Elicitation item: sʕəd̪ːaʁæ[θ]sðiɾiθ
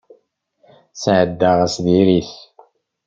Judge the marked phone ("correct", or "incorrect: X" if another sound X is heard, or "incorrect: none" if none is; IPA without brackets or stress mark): incorrect: none